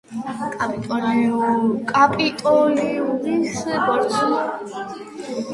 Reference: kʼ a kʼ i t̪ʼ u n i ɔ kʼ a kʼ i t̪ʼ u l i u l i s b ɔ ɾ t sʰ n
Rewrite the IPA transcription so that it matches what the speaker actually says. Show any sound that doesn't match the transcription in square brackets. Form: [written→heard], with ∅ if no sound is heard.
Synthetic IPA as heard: kʼ a [kʼ→pʼ] i t̪ʼ [u→ɔ] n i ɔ kʼ a [kʼ→pʼ] i t̪ʼ [u→ɔ] l i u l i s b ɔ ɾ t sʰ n